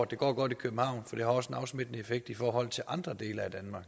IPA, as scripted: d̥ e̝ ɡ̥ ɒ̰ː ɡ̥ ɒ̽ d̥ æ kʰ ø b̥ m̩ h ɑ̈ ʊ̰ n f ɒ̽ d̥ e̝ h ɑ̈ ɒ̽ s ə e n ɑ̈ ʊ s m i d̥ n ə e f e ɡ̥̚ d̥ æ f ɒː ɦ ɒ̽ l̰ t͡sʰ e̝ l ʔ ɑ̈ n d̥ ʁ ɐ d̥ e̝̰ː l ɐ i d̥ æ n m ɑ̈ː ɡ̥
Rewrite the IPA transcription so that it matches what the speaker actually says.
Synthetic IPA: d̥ e̝ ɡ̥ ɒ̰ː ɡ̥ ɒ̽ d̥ i kʰ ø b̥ m̩ h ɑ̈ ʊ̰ n f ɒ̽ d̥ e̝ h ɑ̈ ɒ̽ s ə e n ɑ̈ ʊ s m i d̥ n ə e f e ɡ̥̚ d̥ i f ɒː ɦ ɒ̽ l̰ t͡sʰ e̝ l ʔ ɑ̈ n d̥ ʁ ɐ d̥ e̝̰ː l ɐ æ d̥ æ n m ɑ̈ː ɡ̥